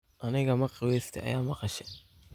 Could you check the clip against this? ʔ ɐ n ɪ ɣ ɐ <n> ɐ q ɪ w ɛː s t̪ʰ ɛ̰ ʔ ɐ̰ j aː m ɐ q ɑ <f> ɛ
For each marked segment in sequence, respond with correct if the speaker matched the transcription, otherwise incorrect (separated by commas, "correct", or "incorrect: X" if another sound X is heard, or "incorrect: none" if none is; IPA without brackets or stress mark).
incorrect: m, incorrect: ʃ